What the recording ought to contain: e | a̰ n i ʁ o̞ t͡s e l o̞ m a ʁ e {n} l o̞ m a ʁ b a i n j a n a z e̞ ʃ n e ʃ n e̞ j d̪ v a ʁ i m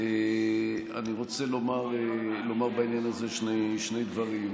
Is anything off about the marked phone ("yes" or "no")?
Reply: yes